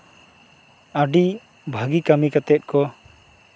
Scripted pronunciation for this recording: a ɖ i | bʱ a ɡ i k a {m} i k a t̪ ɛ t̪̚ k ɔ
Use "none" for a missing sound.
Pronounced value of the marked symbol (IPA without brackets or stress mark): m